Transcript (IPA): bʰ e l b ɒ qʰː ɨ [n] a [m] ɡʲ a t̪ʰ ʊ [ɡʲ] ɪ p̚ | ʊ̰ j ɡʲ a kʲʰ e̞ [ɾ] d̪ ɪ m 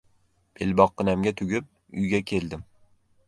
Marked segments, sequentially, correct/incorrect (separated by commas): correct, correct, correct, incorrect